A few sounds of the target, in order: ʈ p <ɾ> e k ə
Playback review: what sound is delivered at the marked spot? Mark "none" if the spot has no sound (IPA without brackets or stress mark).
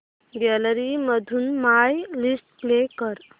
l